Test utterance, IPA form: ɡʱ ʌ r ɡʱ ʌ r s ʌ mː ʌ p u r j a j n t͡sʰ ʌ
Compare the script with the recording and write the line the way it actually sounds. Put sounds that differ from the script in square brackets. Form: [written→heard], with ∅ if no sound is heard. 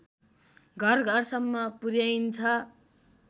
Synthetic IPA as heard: ɡʱ ʌ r ɡʱ ʌ r s ʌ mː ʌ p u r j a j n t͡sʰ ʌ